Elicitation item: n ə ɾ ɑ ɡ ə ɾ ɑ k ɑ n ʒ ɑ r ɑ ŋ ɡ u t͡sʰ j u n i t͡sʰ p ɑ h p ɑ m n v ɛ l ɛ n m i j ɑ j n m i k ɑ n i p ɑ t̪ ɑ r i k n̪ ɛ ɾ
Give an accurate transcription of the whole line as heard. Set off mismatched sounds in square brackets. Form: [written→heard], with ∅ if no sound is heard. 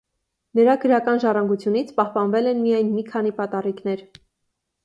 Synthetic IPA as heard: n ə ɾ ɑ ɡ ə ɾ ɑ k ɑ n ʒ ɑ r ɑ ŋ ɡ u t͡sʰ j u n i t͡sʰ p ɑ h p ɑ [m→∅] n v ɛ l ɛ n m i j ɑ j n m i [k→kʰ] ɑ n i p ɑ t̪ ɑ r i k n̪ ɛ ɾ